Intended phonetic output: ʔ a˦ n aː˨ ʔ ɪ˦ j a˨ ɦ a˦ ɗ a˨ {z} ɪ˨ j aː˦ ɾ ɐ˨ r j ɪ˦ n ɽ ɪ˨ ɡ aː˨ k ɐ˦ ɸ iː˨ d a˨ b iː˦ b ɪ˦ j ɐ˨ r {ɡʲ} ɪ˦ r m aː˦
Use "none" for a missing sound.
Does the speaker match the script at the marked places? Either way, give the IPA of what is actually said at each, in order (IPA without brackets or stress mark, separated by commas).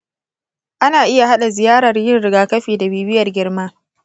z, ɡʲ